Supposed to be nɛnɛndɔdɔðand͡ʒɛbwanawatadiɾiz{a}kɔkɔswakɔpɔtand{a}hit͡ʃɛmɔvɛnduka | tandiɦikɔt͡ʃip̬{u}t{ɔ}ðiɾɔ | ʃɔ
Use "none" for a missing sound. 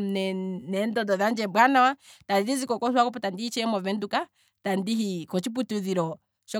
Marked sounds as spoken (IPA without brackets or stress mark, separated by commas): i, i, u, u